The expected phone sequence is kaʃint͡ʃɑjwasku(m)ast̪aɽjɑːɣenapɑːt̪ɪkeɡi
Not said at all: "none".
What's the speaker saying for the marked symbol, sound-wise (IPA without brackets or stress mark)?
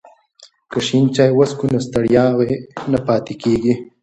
n